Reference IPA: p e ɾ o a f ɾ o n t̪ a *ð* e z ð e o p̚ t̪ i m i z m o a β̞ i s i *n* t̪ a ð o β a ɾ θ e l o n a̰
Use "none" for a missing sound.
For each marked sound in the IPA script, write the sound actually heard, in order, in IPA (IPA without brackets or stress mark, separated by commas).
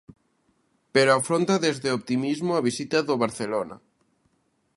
ð, none